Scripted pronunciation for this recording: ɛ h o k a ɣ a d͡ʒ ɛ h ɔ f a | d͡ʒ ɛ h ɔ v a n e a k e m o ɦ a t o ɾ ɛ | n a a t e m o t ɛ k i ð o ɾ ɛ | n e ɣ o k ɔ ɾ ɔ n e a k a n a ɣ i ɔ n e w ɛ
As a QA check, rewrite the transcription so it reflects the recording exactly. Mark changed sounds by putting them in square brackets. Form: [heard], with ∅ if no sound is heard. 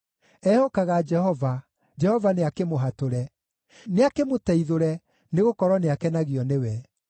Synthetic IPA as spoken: ɛ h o k a ɣ a d͡ʒ ɛ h ɔ [v] a | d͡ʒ ɛ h ɔ v a n e a k e m o ɦ a t o ɾ ɛ | n [e] a [k] e m o t ɛ [∅] i ð o ɾ ɛ | n e ɣ o k ɔ ɾ ɔ n e a k [ɛ] n a ɣ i ɔ n e w ɛ